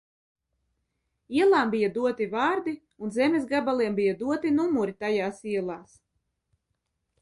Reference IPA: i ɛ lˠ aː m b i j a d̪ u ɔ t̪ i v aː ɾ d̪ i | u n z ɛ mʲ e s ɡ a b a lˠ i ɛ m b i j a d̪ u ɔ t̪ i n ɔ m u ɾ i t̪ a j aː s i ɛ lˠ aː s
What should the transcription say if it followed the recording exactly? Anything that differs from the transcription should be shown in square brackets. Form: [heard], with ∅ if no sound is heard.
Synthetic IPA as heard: i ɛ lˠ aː m b i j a d̪ u ɔ t̪ i v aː ɾ d̪ i | u n z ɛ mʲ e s ɡ a b a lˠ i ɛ m b i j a d̪ u ɔ t̪ i n [u] m u ɾ i t̪ a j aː s i ɛ lˠ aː s